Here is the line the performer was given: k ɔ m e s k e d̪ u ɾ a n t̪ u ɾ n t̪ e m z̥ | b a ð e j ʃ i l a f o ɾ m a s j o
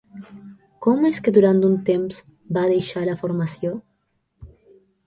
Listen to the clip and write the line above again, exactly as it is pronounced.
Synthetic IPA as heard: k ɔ m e s k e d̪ u ɾ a n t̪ u n t̪ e m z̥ | b a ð e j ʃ a l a f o ɾ m a s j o